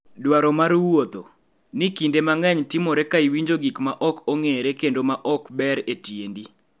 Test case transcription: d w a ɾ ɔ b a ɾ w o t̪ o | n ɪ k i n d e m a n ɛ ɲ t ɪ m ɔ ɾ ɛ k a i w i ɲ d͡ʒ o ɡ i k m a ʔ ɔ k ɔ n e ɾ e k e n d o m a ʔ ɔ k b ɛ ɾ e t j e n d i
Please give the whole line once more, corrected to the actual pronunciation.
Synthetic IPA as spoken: d w a ɾ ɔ m a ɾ w o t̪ o | n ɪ k i n d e m a ŋ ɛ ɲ t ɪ m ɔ ɾ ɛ k a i w i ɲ d͡ʒ o ɡ i k m a ʔ ɔ k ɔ ŋ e ɾ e k e n d o m a ʔ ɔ k b ɛ ɾ e t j e n d i